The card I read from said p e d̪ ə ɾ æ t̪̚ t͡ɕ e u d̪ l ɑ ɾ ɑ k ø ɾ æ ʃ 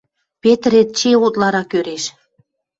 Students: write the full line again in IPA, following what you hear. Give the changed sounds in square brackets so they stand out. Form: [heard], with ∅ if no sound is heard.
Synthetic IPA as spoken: p e [t̪] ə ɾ [e] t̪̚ t͡ɕ e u [t̪] l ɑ ɾ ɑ k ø ɾ [e] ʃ